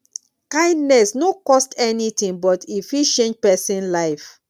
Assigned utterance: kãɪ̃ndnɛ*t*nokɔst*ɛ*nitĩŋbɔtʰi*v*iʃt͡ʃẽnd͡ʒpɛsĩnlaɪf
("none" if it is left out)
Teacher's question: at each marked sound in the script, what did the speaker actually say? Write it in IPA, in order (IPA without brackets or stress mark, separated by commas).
s, ɛ, f